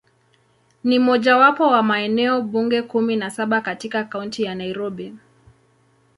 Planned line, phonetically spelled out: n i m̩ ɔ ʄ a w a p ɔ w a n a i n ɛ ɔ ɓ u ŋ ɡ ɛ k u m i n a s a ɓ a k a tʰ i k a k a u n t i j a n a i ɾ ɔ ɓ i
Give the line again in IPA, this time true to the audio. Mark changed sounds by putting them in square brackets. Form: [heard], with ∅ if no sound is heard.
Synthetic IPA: n i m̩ ɔ ʄ a w a p ɔ w a [m] a [ɛ] n ɛ ɔ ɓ u ŋ ɡ ɛ k u m i n a s a ɓ a k a [t] i k a k a u n t i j a n a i ɾ ɔ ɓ i